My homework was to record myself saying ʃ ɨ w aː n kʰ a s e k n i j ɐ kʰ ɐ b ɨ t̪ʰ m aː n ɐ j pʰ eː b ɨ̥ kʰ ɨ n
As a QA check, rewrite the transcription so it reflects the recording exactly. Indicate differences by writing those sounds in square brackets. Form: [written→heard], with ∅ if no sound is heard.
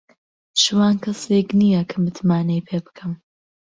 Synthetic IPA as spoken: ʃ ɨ w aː n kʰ [a→ɐ] s e k n i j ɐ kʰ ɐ [b→m] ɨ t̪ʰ m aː n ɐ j pʰ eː b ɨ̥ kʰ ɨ [n→m]